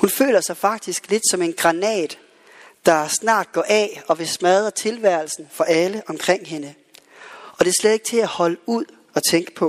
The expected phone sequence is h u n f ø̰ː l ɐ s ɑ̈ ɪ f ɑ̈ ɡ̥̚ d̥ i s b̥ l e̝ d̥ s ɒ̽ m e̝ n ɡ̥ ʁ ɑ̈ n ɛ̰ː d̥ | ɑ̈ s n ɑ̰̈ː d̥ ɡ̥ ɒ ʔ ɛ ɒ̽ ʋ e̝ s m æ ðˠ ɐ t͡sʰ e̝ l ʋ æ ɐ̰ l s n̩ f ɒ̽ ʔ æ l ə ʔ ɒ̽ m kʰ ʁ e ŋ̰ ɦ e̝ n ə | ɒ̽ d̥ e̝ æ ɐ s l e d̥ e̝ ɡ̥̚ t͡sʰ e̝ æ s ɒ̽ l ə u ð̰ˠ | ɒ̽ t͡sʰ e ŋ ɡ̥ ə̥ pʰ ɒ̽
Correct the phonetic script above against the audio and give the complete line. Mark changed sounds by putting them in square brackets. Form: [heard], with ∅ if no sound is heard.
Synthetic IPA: h u n f ø̰ː l ɐ s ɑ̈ ɪ f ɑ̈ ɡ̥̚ d̥ i s [ɡ̥] l e̝ d̥ s ɒ̽ m e̝ n ɡ̥ ʁ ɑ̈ n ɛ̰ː d̥ | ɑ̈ s n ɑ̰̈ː d̥ ɡ̥ ɒ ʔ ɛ ɒ̽ ʋ e̝ s m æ ðˠ ɐ t͡sʰ e̝ l ʋ æ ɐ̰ l s n̩ f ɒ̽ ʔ æ l ə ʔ ɒ̽ m kʰ ʁ e ŋ̰ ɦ e̝ n ə | ɒ̽ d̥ e̝ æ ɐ s l e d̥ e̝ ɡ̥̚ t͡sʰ e̝ æ [h] ɒ̽ l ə u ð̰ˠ | ɒ̽ t͡sʰ e ŋ ɡ̥ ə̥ pʰ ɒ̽